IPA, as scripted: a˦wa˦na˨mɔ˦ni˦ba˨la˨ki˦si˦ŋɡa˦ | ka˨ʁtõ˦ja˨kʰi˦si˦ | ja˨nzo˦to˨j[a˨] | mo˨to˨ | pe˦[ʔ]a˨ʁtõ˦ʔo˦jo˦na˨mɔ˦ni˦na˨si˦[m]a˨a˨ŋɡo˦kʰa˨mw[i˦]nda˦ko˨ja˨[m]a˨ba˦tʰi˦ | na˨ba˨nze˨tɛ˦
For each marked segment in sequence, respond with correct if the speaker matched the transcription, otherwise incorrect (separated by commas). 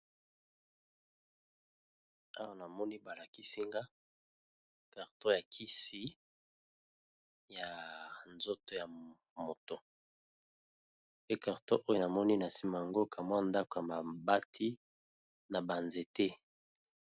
correct, incorrect, correct, incorrect, correct